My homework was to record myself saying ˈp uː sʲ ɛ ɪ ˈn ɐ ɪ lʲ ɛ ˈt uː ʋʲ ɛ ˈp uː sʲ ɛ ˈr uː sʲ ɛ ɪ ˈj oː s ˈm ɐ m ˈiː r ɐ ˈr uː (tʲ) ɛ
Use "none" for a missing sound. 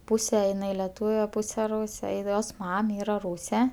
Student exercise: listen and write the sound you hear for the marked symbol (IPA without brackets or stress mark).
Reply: sʲ